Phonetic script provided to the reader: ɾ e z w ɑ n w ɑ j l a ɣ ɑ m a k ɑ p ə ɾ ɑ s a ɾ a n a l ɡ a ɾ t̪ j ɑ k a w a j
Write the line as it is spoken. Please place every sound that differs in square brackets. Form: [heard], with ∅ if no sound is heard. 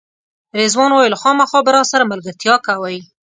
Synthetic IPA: ɾ e z w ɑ n w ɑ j l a [x] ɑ m a [x] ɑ [b] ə ɾ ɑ s a ɾ a [m] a l ɡ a ɾ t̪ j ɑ k a w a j